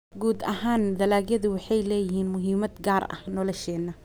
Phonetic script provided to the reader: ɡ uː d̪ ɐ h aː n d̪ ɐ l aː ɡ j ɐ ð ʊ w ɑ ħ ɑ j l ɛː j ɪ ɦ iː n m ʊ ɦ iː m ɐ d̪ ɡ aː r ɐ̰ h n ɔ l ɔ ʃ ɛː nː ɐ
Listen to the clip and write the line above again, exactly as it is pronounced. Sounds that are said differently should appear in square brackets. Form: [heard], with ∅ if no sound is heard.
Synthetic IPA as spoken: ɡ uː d̪ ɐ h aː n d̪ ɐ l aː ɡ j ɐ ð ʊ w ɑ ħ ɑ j l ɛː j ɪ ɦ iː n m ʊ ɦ iː m ɐ d̪ ɡ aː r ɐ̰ h n ɔ l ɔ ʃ ɛː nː ɐ